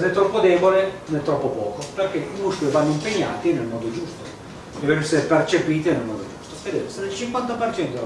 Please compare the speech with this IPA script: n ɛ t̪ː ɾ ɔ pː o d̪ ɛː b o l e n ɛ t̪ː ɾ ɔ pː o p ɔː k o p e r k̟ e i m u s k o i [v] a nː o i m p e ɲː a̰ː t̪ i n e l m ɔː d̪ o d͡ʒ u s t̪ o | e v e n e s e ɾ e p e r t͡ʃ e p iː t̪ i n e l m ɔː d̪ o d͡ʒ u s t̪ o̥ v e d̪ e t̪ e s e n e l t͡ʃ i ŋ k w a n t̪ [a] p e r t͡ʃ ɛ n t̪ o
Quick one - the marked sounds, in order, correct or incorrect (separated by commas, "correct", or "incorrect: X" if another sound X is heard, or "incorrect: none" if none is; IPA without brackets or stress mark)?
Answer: correct, correct